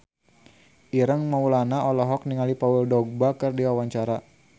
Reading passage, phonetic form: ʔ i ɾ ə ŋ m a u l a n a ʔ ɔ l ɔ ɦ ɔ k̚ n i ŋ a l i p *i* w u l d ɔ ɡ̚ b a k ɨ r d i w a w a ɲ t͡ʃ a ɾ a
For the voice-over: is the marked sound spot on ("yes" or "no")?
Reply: no